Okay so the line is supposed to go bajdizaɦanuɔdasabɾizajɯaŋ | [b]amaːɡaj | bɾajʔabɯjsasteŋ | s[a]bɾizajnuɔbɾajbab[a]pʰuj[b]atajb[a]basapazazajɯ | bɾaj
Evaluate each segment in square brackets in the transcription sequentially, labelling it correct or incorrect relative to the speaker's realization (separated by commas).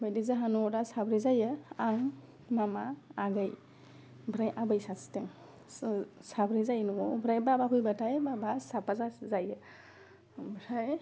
incorrect, correct, correct, correct, correct